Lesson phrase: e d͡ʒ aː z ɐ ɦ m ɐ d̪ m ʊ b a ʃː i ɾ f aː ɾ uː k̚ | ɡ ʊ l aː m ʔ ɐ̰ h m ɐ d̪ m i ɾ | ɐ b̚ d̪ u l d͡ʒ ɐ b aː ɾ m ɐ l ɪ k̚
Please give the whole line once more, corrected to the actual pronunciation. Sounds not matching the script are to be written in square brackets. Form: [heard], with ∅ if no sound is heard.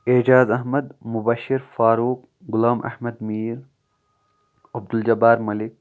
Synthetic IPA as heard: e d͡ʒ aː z ɐ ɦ m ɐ d̪ m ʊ b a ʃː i ɾ f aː ɾ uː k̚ | ɡ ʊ l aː m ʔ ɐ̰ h m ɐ d̪ m [iː] ɾ | ɐ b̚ d̪ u l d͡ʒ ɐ b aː ɾ m ɐ l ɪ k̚

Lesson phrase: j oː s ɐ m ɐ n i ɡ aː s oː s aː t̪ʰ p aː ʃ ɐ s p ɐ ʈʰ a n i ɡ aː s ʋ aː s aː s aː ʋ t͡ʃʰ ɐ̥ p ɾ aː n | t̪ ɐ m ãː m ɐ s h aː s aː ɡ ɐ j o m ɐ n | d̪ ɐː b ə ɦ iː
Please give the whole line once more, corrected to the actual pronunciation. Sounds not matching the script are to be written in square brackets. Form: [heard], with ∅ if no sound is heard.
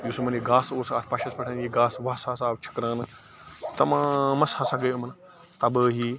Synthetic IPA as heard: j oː s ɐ m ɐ n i ɡ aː s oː s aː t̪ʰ p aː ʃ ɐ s p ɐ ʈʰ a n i ɡ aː s ʋ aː s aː s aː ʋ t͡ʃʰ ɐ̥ [k] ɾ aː n | t̪ ɐ m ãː m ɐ s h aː s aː ɡ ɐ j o m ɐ n | [t̪] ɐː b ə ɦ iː

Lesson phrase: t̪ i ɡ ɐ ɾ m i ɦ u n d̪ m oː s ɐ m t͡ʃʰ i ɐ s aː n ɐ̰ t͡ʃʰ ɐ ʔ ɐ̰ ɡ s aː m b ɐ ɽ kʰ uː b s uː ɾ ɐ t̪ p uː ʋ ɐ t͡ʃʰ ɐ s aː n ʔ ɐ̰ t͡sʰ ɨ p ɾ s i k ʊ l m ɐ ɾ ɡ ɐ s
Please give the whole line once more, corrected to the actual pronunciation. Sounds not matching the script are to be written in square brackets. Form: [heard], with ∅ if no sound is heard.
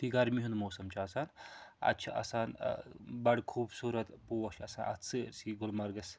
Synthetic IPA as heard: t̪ i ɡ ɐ ɾ m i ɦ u n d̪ m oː s ɐ m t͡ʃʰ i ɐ s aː n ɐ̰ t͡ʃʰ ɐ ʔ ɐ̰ [∅] s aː [n] b ɐ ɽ kʰ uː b s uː ɾ ɐ t̪ p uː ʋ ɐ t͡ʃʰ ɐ s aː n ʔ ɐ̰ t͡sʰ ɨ [∅] ɾ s i [ɡ] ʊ l m ɐ ɾ ɡ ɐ s

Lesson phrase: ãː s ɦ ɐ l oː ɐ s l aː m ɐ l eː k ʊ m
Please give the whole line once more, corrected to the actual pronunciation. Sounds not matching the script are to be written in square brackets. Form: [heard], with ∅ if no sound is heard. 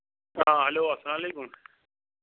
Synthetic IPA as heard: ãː [∅] ɦ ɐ l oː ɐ s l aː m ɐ l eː k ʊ m

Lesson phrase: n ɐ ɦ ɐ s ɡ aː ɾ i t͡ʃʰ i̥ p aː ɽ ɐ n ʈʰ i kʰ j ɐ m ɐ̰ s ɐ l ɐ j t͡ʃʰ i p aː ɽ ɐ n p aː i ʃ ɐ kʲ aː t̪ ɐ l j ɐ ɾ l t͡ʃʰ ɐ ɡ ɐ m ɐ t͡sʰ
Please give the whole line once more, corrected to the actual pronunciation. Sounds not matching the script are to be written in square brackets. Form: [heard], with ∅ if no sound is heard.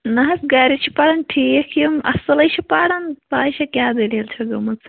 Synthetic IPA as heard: n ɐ ɦ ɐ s ɡ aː ɾ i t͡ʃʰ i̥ p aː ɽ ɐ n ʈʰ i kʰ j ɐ m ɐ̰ s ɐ l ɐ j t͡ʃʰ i p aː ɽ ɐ n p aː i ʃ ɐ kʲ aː [d̪] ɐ l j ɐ [∅] l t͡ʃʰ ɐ ɡ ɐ m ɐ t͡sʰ

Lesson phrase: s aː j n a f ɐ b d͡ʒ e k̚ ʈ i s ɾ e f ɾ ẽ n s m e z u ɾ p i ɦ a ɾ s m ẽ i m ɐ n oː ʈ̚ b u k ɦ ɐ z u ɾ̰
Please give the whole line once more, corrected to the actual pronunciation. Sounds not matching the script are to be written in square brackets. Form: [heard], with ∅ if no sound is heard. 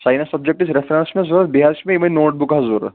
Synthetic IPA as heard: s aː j n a [s] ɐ b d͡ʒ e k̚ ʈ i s ɾ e f ɾ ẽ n s m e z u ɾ [b] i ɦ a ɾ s m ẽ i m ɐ n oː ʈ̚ b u k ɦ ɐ z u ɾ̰

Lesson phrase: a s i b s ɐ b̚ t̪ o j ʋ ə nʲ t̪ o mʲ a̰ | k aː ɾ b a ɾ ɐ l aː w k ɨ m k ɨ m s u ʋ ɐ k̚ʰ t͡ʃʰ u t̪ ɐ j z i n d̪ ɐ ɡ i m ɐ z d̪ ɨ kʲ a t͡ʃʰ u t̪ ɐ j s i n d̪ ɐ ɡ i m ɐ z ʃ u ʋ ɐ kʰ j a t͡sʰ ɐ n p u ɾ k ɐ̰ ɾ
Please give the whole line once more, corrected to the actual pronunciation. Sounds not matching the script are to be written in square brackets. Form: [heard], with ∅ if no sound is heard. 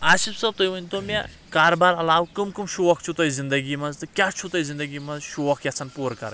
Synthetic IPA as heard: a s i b s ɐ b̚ t̪ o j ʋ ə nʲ t̪ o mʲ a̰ | k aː ɾ b a ɾ ɐ l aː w k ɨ m k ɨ m [ʃ] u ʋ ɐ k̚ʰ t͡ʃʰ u t̪ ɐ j z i n d̪ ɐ ɡ i m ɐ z [t̪] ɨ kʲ a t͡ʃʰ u t̪ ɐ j [z] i n d̪ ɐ ɡ i m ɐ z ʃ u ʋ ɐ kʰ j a t͡sʰ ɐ n p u ɾ k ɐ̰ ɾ

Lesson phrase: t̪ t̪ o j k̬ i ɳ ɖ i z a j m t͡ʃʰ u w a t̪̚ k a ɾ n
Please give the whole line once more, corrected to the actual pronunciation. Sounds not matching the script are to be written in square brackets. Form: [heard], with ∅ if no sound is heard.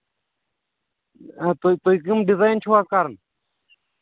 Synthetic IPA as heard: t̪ t̪ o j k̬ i [m] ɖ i z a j [n] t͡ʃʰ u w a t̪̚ k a ɾ n

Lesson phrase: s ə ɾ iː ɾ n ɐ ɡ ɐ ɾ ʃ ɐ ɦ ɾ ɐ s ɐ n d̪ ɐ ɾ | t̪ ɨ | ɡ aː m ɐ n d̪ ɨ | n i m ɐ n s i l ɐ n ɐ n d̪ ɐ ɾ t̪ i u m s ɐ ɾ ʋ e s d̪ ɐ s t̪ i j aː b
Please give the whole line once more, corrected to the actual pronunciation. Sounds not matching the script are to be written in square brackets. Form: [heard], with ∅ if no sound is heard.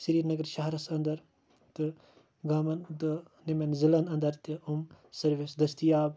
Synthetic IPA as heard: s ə ɾ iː ɾ n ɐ ɡ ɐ ɾ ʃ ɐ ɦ ɾ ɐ s ɐ n d̪ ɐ ɾ | t̪ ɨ | ɡ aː m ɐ n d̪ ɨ | n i m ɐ n [z] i l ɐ n ɐ n d̪ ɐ ɾ t̪ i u m s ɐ ɾ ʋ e s d̪ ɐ s t̪ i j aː b

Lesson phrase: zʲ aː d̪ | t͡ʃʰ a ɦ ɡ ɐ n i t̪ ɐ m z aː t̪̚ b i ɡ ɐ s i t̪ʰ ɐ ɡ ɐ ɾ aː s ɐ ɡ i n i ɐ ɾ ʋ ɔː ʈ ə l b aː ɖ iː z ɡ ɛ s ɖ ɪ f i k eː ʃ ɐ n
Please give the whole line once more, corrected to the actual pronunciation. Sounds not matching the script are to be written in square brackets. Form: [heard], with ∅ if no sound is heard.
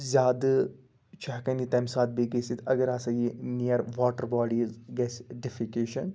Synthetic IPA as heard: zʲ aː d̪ | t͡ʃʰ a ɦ [k] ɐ n i t̪ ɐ m [s] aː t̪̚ b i ɡ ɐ s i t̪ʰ ɐ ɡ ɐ ɾ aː s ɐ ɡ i n i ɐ ɾ ʋ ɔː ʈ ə [ɾ] b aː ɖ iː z ɡ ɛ s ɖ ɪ f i k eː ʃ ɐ n

